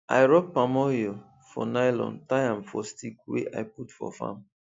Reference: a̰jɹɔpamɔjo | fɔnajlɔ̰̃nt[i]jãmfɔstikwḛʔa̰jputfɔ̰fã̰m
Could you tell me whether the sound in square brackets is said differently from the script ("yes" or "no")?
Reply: yes